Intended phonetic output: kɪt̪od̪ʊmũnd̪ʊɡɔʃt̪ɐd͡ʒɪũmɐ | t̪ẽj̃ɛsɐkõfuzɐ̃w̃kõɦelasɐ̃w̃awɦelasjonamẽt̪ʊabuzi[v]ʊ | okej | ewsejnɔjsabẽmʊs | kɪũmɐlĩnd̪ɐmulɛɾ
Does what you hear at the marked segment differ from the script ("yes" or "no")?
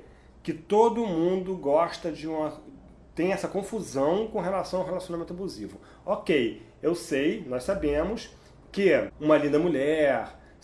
no